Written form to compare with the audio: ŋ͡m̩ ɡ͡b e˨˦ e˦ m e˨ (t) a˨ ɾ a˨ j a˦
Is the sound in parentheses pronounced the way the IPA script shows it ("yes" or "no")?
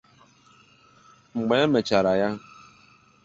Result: no